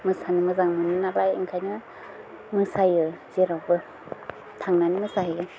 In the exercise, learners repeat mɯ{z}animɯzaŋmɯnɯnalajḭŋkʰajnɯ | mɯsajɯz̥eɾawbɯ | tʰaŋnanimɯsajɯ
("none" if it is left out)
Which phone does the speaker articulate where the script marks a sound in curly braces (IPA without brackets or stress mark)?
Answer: s